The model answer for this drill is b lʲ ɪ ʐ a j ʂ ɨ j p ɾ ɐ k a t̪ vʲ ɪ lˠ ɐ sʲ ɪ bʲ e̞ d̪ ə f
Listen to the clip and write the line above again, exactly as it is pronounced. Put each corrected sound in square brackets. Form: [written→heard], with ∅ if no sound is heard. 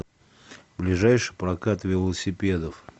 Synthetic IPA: b lʲ ɪ ʐ a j ʂ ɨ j p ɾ ɐ k a t̪ vʲ ɪ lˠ [ɐ→ə] sʲ ɪ [bʲ→pʲ] e̞ d̪ ə f